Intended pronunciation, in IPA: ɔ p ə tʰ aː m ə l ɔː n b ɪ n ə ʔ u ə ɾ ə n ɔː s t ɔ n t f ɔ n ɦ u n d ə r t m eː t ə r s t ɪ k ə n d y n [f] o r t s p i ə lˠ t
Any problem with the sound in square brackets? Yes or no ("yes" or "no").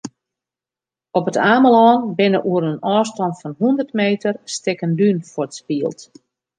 no